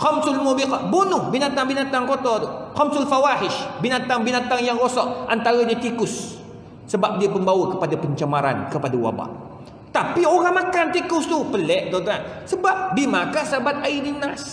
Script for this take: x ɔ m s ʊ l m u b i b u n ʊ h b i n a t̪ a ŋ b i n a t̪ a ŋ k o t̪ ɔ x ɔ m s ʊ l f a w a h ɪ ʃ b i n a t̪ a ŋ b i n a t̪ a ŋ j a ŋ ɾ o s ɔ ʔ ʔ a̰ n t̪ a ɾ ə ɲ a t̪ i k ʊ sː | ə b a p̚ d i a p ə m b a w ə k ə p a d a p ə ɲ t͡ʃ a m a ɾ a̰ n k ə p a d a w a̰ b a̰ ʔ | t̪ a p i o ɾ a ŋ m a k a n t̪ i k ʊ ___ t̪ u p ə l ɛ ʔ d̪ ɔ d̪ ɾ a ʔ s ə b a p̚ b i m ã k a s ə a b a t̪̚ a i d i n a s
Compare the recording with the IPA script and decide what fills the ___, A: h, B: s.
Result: B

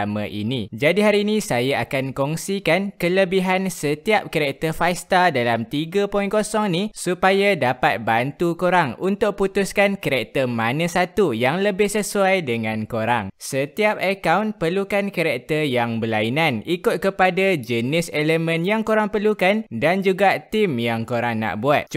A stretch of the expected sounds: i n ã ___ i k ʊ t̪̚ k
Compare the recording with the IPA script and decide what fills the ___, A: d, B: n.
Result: B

